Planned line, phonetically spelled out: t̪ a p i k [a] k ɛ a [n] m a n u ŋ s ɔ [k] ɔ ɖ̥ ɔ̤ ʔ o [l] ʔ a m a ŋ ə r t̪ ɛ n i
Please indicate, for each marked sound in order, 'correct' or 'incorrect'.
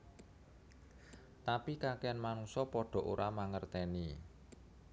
correct, correct, incorrect: p, incorrect: ɾ

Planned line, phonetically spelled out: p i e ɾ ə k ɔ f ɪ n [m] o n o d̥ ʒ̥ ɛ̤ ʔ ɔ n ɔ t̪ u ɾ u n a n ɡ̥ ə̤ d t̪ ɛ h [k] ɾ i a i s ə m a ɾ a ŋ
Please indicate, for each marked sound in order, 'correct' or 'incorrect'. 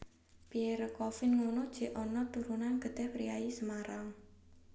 incorrect: ŋ, incorrect: p

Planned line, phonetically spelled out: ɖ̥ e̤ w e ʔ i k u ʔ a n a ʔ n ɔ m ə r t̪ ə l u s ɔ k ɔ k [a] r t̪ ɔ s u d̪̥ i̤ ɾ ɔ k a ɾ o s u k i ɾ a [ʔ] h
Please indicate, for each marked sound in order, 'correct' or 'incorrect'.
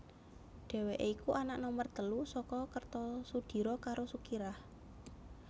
incorrect: ə, incorrect: none

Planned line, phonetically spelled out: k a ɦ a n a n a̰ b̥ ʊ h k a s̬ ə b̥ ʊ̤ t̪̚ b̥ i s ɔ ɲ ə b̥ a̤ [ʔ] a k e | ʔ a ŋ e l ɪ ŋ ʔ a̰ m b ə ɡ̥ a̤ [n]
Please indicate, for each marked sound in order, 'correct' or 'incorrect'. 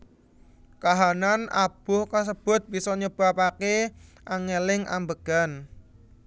incorrect: p, correct

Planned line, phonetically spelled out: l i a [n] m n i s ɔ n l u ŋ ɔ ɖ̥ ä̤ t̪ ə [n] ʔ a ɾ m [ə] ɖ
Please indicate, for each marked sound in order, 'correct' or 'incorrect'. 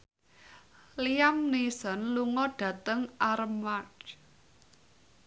incorrect: none, incorrect: ŋ, incorrect: a

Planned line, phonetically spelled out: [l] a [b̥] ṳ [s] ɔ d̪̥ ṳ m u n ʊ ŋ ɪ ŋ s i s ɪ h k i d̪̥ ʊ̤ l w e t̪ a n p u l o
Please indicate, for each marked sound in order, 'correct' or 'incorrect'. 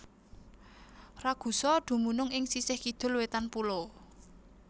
incorrect: r, incorrect: ɡ̥, correct

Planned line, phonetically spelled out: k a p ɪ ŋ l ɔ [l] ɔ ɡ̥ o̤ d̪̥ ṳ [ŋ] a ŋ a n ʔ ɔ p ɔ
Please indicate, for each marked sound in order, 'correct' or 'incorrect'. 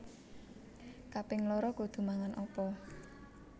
incorrect: ɾ, incorrect: m

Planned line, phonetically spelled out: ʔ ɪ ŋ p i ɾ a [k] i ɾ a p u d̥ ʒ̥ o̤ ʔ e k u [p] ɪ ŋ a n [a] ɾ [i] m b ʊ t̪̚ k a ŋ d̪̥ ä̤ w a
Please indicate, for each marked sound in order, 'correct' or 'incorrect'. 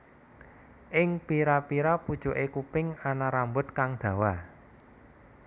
incorrect: p, correct, correct, incorrect: a

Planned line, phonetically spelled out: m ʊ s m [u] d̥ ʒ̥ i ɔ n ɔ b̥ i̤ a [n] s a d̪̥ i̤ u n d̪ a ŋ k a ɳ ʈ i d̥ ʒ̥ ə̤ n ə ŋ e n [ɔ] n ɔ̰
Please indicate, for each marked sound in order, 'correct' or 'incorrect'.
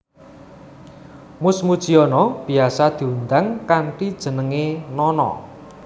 correct, incorrect: none, correct

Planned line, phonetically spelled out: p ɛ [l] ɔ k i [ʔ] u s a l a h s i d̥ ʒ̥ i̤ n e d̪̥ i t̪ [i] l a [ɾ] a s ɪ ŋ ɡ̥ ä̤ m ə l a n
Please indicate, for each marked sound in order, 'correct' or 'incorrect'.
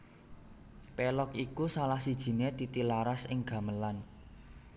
correct, incorrect: k, correct, correct

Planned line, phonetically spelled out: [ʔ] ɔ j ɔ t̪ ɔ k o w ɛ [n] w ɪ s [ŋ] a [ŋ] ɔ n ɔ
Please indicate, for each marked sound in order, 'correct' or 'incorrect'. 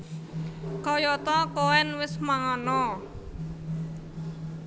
incorrect: k, correct, incorrect: m, correct

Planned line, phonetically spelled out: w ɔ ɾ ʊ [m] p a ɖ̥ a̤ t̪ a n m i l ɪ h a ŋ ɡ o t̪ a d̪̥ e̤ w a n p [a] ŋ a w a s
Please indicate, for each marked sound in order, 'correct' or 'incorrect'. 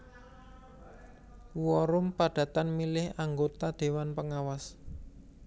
correct, incorrect: ə

